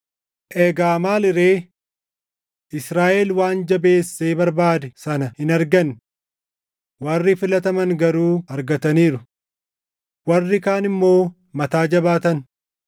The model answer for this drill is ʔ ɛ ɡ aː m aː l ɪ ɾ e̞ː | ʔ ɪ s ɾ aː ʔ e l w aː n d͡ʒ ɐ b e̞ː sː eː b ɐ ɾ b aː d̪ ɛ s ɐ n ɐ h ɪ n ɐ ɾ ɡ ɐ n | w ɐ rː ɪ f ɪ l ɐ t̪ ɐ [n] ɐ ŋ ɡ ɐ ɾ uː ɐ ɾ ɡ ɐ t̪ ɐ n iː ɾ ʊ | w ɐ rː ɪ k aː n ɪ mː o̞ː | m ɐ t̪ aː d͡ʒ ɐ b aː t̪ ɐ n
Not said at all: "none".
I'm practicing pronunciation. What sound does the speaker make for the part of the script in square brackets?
m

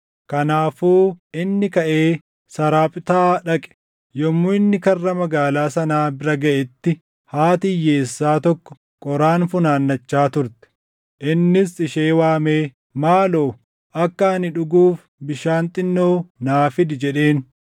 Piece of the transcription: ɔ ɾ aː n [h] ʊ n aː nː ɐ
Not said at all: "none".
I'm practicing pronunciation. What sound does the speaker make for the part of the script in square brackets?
f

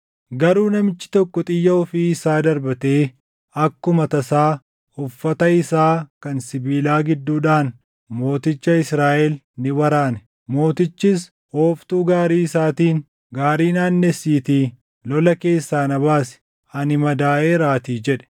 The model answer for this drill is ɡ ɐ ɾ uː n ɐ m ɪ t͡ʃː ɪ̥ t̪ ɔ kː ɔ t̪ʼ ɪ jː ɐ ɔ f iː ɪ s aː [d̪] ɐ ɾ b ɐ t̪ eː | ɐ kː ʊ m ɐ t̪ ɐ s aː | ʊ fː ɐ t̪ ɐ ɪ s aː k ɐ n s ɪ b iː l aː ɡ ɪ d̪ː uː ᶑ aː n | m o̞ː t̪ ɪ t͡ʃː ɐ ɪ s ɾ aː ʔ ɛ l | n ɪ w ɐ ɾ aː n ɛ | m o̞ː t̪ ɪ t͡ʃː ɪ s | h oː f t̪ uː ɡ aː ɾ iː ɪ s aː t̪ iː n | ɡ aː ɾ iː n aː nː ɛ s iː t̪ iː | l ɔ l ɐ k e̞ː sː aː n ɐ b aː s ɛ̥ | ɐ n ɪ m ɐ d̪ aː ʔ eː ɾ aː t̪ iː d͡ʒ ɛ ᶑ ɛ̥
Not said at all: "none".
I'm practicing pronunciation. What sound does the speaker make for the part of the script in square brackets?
d̪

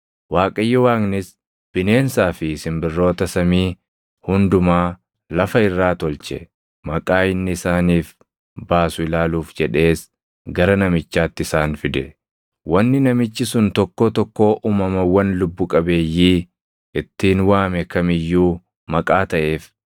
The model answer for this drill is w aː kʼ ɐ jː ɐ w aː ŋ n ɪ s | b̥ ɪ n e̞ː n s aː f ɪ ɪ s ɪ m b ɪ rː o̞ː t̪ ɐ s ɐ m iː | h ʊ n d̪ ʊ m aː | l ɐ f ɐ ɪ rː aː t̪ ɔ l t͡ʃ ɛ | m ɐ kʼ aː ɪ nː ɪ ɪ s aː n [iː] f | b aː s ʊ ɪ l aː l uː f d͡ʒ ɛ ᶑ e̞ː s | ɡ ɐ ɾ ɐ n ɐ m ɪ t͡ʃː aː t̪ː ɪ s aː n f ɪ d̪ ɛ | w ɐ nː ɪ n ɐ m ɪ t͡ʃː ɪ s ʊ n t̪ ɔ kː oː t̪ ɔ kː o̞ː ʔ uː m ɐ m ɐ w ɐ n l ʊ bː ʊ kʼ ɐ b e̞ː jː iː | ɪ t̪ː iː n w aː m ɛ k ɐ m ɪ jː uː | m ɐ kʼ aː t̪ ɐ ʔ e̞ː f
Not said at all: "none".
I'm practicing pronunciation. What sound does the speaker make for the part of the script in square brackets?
iː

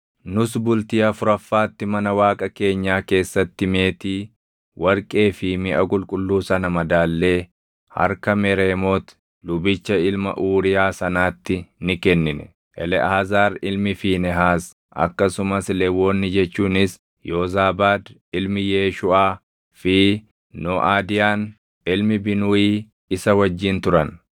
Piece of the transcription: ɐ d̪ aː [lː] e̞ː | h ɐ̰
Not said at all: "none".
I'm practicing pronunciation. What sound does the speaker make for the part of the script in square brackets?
lː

